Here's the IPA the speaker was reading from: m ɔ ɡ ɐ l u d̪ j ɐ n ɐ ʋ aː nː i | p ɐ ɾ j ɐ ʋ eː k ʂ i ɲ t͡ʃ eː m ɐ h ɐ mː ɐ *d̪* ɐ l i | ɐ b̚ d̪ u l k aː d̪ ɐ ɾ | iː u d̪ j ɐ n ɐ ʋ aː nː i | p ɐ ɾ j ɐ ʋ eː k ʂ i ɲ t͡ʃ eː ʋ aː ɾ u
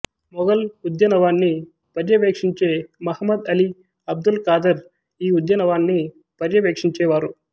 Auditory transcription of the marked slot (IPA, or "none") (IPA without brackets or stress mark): d̪